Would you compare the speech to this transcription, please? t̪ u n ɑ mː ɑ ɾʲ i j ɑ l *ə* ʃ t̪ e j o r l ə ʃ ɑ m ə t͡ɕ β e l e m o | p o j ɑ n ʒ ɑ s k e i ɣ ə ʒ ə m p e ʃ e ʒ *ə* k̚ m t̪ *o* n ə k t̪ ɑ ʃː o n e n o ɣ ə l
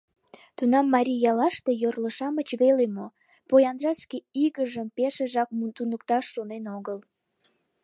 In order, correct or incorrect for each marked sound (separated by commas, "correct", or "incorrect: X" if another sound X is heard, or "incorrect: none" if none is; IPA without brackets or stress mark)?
incorrect: ɑ, incorrect: ɑ, incorrect: u